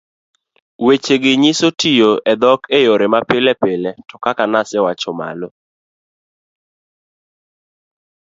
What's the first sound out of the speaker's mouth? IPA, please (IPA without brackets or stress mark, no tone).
w